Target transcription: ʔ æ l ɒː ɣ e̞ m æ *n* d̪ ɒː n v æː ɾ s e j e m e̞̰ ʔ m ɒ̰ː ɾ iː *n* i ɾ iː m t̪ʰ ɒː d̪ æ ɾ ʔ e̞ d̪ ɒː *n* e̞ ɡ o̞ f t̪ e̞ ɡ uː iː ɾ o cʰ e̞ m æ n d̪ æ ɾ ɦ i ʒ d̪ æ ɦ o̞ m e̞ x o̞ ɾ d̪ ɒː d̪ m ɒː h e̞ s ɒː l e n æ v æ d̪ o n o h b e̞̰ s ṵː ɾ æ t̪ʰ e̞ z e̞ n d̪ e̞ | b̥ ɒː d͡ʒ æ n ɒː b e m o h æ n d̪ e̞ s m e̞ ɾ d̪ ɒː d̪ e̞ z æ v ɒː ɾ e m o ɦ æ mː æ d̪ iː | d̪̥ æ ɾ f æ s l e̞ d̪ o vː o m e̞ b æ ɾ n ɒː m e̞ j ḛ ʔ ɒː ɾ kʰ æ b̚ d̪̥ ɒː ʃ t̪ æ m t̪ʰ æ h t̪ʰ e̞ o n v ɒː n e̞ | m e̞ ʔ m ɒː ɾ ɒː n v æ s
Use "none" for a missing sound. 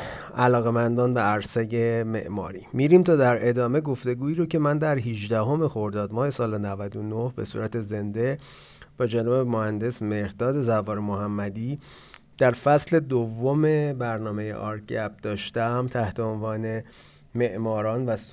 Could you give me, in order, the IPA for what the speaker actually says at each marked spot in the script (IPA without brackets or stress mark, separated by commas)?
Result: n, m, m